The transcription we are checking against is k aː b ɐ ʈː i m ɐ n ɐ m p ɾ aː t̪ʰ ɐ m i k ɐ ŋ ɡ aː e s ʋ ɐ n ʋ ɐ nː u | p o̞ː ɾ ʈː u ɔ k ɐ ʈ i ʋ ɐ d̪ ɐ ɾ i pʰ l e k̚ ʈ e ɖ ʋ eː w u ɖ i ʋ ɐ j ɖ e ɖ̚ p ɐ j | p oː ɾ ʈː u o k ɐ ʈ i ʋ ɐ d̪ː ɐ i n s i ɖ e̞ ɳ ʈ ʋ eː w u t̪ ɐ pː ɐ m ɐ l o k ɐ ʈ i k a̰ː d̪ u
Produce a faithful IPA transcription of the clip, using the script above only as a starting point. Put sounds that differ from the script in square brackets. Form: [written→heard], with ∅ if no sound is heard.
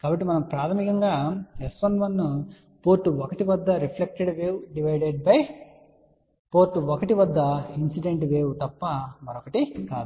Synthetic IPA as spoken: k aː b ɐ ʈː i m ɐ n ɐ m p ɾ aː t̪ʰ ɐ m i k ɐ ŋ ɡ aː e s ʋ ɐ n ʋ ɐ nː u | p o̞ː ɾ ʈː u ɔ k ɐ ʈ i ʋ ɐ [d̪→d̪ː] ɐ ɾ i pʰ l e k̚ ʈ e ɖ ʋ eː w u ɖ i ʋ ɐ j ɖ e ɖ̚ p ɐ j | p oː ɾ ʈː u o k ɐ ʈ i ʋ ɐ d̪ː ɐ i n s i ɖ e̞ ɳ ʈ ʋ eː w u t̪ ɐ pː ɐ m ɐ [l→ɾ] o k ɐ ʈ i k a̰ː d̪ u

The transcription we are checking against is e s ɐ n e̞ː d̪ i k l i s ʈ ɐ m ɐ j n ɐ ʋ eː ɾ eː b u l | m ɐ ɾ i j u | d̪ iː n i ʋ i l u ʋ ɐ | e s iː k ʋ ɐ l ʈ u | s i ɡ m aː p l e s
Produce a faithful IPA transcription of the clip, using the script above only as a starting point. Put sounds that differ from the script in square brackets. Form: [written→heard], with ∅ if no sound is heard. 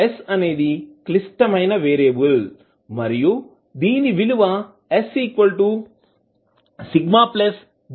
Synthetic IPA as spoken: e s ɐ n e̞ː d̪ i k l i s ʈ ɐ m ɐ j n ɐ ʋ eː ɾ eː b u l | m ɐ ɾ i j u | d̪ iː n i ʋ i l u ʋ ɐ | e s iː k ʋ ɐ l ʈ u | s i ɡ m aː p l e s

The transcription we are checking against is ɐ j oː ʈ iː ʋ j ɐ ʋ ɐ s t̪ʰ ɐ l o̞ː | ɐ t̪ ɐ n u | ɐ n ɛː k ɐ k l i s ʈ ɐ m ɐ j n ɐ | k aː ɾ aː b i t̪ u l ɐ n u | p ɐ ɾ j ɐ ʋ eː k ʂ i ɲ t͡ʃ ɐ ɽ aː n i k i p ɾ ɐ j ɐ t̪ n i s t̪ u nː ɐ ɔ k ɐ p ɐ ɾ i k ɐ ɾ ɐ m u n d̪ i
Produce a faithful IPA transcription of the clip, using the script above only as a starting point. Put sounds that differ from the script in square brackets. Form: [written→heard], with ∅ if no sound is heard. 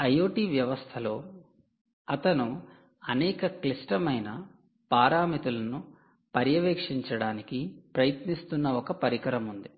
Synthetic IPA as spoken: ɐ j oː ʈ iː ʋ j ɐ ʋ ɐ s t̪ʰ ɐ l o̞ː | ɐ t̪ ɐ n u | ɐ n ɛː k ɐ k l i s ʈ ɐ m ɐ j n ɐ | [k→p] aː ɾ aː [b→m] i t̪ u l ɐ n u | p ɐ ɾ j ɐ ʋ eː k ʂ i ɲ t͡ʃ ɐ ɽ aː n i k i p ɾ ɐ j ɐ t̪ n i s t̪ u nː ɐ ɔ k ɐ p ɐ ɾ i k ɐ ɾ ɐ m u n d̪ i

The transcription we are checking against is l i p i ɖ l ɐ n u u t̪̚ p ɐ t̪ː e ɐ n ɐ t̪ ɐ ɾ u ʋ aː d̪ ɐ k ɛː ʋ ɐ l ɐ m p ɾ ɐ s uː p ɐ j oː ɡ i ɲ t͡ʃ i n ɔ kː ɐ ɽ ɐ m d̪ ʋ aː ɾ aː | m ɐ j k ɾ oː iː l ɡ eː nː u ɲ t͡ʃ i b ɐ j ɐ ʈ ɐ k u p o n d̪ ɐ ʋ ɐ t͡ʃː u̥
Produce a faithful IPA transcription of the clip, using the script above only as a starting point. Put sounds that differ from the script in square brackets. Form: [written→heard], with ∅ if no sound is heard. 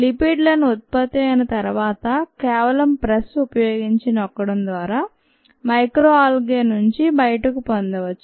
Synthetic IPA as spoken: l i p i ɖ l ɐ n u u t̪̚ p ɐ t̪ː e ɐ n ɐ t̪ ɐ ɾ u ʋ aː [d̪→t̪] ɐ k ɛː ʋ ɐ l ɐ m p ɾ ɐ s [uː→u] p ɐ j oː ɡ i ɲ t͡ʃ i n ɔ kː ɐ ɽ ɐ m d̪ ʋ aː ɾ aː | m ɐ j k ɾ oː [iː→aː] l ɡ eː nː u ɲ t͡ʃ i b ɐ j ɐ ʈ ɐ k u p o n d̪ ɐ ʋ ɐ t͡ʃː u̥

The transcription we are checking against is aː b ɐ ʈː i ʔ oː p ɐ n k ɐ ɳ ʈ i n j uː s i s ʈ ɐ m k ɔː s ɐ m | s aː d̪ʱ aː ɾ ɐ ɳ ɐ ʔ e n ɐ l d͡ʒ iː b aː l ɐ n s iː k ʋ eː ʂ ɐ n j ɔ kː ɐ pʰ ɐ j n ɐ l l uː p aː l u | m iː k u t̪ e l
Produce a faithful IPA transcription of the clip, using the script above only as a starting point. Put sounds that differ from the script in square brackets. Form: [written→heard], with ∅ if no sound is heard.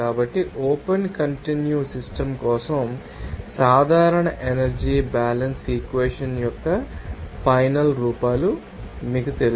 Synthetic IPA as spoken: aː b ɐ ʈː i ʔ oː p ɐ n k ɐ ɳ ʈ i n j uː s i s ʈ ɐ m k ɔː s ɐ m | s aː d̪ʱ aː ɾ ɐ ɳ ɐ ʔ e n ɐ [l→ɾ] d͡ʒ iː b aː l ɐ n s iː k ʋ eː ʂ ɐ n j ɔ kː ɐ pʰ ɐ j n ɐ l [l→ɾ] uː p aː l u | m iː k u t̪ e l

